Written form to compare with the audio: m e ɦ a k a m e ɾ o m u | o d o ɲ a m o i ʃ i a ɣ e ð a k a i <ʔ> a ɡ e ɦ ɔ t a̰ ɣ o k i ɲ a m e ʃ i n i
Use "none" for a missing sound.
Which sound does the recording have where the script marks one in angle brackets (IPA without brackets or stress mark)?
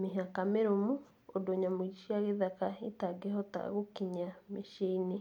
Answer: t